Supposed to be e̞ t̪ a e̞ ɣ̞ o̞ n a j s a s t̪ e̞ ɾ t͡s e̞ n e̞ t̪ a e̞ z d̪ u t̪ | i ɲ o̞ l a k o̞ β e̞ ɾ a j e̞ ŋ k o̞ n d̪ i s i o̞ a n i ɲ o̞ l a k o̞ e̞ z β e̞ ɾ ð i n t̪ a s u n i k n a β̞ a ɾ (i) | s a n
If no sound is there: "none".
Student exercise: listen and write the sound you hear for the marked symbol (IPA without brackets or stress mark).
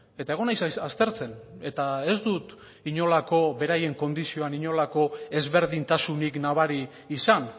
iː